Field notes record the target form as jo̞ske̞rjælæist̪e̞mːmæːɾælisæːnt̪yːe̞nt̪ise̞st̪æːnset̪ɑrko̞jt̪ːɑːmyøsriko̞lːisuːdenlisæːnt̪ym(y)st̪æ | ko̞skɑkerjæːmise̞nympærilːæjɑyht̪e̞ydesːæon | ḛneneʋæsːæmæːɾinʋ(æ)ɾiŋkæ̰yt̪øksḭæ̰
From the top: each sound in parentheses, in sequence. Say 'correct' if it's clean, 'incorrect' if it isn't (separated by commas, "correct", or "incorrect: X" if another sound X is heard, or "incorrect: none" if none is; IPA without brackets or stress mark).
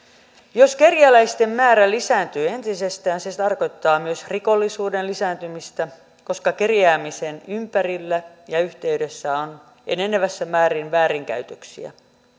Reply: incorrect: i, incorrect: æː